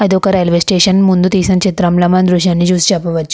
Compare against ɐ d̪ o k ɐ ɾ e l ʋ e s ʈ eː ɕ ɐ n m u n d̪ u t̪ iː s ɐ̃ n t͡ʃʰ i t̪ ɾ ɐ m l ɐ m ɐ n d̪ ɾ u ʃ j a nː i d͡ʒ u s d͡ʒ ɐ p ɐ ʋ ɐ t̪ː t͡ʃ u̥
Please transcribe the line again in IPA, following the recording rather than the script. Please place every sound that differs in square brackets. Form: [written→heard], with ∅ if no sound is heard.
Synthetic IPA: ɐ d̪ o k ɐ ɾ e l ʋ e s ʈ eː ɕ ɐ n m u n d̪ u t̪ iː s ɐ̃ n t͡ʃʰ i t̪ ɾ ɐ m l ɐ m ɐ n d̪ ɾ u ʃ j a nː i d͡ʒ u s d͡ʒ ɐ p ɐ ʋ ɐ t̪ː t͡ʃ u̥